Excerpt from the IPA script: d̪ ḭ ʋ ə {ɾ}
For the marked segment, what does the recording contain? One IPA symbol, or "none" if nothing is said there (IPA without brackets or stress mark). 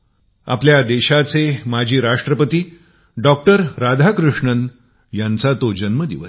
none